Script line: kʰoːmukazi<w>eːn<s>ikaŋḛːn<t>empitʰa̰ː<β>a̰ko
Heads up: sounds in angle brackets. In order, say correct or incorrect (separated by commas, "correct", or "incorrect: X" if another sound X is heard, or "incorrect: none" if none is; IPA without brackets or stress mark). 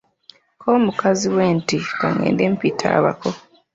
correct, incorrect: t, incorrect: d, correct